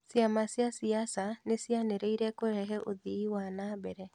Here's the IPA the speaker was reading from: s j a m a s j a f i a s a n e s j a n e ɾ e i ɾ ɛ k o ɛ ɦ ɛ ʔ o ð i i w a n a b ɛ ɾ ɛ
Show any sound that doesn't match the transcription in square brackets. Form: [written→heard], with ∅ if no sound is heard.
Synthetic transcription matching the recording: s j a m a s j a [f→s] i a s a n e s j a n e ɾ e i ɾ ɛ k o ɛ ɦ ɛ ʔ o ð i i w a n a b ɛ ɾ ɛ